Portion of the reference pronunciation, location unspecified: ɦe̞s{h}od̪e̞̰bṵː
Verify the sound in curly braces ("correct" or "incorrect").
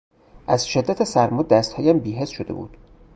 incorrect